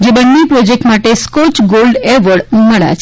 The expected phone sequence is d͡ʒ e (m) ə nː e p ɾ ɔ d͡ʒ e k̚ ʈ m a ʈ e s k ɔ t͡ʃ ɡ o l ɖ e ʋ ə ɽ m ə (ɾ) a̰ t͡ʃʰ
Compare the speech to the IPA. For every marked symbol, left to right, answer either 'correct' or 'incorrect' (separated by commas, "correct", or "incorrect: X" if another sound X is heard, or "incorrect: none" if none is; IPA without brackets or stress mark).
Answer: incorrect: b, incorrect: ɭ